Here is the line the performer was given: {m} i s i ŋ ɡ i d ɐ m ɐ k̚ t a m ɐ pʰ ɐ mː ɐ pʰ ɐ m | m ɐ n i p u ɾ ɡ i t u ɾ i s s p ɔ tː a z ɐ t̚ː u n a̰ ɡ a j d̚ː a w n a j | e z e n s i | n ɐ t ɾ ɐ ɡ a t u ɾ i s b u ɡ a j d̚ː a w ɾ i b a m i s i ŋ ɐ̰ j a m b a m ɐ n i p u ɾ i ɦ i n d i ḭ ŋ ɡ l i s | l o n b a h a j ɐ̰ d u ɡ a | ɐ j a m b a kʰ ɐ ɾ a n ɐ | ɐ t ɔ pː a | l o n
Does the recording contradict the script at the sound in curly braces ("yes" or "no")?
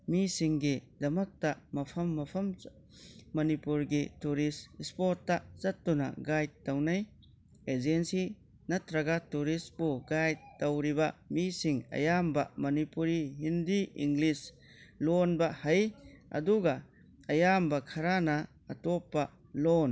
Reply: no